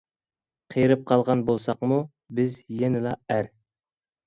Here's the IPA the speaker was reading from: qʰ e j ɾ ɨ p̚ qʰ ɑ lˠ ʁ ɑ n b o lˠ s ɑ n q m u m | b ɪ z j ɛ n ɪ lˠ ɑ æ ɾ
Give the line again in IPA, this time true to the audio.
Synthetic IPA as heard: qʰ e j ɾ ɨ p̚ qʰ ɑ lˠ ʁ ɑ n b o lˠ s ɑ q m u | b ɪ z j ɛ n ɪ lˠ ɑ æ ɾ

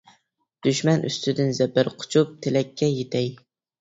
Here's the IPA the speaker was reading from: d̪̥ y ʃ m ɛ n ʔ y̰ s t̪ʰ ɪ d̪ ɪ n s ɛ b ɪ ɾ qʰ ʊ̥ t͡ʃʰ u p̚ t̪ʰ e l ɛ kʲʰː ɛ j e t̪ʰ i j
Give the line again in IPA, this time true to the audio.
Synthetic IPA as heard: d̪̥ y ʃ m ɛ n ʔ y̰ s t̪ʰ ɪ d̪ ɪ n z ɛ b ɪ ɾ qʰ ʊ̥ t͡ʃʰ u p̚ t̪ʰ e l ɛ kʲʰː ɛ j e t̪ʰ ɛ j

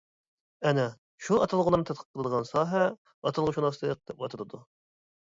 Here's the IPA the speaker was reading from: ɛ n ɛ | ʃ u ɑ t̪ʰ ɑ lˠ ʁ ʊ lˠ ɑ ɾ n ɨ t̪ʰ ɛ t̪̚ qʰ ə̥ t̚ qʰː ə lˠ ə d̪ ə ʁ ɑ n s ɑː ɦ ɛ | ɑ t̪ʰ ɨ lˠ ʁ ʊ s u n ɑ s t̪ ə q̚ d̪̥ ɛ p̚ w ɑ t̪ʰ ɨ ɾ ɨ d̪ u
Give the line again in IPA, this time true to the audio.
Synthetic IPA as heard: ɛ n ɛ | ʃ u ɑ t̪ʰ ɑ lˠ ʁ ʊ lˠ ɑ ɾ n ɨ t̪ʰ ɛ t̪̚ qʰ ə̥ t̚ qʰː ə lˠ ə d̪ ə ʁ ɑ n s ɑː ɦ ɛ | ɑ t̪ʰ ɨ lˠ ʁ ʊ ʃ u n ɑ s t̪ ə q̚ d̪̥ ɛ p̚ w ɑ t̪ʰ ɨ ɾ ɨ d̪ u

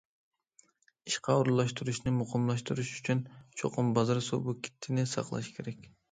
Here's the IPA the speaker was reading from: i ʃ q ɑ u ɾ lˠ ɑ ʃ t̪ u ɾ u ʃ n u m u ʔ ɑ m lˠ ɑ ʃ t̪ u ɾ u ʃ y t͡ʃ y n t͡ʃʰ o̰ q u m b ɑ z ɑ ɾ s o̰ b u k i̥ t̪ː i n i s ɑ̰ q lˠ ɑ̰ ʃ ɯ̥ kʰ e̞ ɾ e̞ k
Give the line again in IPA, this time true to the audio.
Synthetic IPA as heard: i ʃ q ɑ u ɾ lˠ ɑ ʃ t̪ u ɾ u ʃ n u m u q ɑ m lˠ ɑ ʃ t̪ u ɾ u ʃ y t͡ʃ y n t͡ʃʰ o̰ q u m b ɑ z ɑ ɾ s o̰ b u k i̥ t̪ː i n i s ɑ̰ q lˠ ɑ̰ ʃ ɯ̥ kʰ e̞ ɾ e̞ k

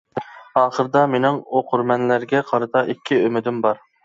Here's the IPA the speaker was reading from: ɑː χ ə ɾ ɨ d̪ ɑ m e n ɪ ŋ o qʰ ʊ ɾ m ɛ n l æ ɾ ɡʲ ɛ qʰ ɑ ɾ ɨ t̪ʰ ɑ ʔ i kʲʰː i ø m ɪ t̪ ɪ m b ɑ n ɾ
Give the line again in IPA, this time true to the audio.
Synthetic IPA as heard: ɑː χ ə ɾ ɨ d̪ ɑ m e n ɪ ŋ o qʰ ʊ ɾ m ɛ n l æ ɾ ɡʲ ɛ qʰ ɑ ɾ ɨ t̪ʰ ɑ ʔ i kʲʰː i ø m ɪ d̪ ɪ m b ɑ ɾ

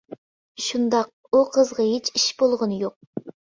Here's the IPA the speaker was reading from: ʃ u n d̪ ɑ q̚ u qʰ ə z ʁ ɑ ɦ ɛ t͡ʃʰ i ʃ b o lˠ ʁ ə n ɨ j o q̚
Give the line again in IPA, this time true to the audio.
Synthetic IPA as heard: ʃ u n d̪ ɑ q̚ u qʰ ə z ʁ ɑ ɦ e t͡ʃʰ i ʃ b o lˠ ʁ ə n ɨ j o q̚

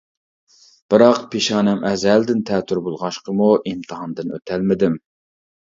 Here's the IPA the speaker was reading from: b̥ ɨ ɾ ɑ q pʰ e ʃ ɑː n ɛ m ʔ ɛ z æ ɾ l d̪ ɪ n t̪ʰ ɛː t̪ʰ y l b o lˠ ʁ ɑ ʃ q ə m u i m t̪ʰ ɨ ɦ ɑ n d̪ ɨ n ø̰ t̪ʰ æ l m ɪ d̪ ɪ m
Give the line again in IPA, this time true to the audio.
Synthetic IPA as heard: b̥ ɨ ɾ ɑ q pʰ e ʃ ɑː n ɛ m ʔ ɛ z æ l d̪ ɪ n t̪ʰ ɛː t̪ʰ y ɾ b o lˠ ʁ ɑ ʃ q ə m u i m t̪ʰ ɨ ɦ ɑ n d̪ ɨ n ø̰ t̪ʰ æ l m ɪ d̪ ɪ m

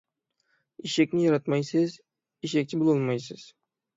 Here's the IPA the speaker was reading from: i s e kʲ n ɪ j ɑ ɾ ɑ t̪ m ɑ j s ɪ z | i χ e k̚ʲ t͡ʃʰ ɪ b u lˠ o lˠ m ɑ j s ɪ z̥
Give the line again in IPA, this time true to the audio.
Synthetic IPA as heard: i ʃ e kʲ n ɪ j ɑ ɾ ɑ t̪ m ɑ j s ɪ z | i ʃ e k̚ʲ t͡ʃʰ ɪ b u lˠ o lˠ m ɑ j s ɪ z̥

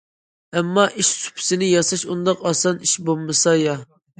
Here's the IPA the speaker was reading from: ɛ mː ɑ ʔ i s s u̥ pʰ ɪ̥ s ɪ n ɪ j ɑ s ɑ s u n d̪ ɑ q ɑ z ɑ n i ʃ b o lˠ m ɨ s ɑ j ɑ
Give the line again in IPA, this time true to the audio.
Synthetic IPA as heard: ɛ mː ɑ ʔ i ʃ s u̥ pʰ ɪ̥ s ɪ n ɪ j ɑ s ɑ ʃ u n d̪ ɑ q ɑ s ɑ n i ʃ b o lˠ m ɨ s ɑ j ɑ

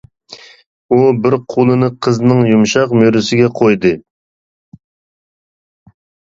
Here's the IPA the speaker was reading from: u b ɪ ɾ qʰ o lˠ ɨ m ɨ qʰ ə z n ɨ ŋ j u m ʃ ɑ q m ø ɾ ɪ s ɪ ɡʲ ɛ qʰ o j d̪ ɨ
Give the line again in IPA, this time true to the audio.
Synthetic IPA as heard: u b ɪ ɾ qʰ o lˠ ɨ n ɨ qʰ ə z n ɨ ŋ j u m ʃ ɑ q m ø ɾ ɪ s ɪ ɡʲ ɛ qʰ o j d̪ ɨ

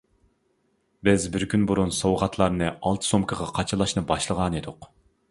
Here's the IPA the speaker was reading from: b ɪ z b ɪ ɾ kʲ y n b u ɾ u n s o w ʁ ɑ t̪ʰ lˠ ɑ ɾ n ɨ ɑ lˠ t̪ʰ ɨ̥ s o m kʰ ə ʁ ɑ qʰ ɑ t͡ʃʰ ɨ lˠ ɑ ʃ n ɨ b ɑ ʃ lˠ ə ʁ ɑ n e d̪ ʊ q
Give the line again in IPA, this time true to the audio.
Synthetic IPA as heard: b ɪ z b ɪ ɾ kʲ y n b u ɾ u n s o w ʁ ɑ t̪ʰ lˠ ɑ ɾ n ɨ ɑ lˠ t̪ʰ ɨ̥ s o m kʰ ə ʁ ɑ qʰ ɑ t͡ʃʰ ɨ lˠ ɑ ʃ n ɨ b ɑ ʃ lˠ ə ʁ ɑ n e d̪ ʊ q

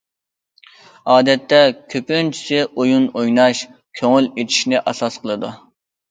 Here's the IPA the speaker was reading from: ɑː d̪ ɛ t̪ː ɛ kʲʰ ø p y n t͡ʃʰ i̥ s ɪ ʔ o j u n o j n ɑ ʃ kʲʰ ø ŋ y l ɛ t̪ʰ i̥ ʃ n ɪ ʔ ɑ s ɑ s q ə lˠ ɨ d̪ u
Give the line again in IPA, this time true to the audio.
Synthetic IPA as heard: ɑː d̪ ɛ t̪ː ɛ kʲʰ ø p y n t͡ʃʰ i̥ s ɪ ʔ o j u n o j n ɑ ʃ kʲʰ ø ŋ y l e t̪ʰ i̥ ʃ n ɪ ʔ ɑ s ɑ s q ə lˠ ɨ d̪ u

